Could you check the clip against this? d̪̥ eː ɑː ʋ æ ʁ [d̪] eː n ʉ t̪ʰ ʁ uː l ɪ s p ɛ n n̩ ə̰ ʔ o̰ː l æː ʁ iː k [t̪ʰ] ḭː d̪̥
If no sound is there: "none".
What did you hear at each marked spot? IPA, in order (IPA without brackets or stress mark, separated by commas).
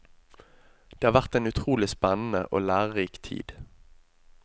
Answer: t̪, t̪ʰ